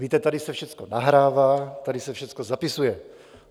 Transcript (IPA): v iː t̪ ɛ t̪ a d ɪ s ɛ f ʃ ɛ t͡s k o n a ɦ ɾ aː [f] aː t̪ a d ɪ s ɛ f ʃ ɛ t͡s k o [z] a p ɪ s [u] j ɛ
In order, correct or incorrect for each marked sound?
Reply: incorrect, correct, correct

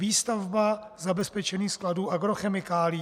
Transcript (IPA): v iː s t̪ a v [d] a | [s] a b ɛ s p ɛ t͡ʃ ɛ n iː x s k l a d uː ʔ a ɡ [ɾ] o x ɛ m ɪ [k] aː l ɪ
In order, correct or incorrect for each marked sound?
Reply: incorrect, incorrect, correct, correct

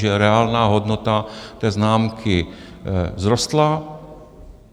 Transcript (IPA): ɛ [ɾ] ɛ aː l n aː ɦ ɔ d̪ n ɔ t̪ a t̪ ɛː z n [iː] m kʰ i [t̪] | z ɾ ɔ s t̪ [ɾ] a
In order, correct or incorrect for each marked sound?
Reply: correct, incorrect, incorrect, incorrect

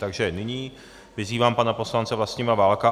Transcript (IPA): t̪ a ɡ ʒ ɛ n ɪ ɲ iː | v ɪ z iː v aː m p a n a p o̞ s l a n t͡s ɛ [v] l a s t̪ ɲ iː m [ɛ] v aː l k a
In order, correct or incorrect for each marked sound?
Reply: correct, incorrect

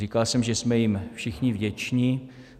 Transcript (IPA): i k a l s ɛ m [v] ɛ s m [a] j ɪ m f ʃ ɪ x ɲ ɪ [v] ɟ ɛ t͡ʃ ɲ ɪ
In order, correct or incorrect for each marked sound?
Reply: incorrect, incorrect, correct

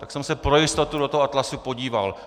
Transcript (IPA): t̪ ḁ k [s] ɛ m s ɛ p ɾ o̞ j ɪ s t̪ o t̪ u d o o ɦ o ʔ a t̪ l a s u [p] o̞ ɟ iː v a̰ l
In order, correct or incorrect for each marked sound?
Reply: correct, correct

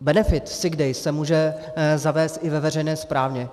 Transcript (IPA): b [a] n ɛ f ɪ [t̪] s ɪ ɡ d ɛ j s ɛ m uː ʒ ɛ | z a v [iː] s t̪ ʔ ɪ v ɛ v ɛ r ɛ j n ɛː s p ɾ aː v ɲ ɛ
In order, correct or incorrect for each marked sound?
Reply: incorrect, correct, incorrect

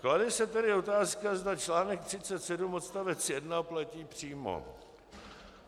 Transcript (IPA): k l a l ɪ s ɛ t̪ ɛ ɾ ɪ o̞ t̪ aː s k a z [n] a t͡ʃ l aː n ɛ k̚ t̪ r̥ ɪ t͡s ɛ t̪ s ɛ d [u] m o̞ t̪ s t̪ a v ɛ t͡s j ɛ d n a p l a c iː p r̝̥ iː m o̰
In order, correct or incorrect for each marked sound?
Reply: incorrect, correct

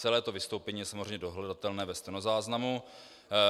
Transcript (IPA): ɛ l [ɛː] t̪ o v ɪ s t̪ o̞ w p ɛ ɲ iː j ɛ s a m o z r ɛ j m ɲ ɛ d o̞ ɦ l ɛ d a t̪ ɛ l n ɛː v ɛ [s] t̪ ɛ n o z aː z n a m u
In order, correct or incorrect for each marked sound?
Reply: correct, correct

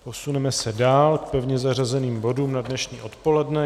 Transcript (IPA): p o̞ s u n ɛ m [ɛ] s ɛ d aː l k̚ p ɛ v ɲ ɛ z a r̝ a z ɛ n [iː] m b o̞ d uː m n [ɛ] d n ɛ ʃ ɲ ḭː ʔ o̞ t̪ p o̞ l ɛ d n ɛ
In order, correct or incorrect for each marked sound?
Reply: correct, correct, incorrect

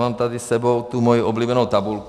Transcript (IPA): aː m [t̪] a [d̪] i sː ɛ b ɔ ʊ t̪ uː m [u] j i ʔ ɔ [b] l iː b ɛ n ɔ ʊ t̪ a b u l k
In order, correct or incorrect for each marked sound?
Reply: correct, correct, incorrect, correct

